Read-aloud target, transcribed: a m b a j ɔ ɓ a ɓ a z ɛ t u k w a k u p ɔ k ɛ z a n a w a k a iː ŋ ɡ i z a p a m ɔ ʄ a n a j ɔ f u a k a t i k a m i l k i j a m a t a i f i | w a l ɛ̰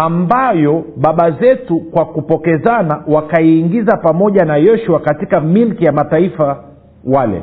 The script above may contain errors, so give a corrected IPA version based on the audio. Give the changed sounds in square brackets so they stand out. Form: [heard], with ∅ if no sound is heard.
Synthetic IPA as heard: a m b a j ɔ ɓ a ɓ a z ɛ t u k w a k u p ɔ k ɛ z a n a w a k a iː ŋ ɡ i z a p a m ɔ ʄ a n a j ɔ [ʃ] u a k a t i k a m i l k i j a m a t a i f [a] | w a l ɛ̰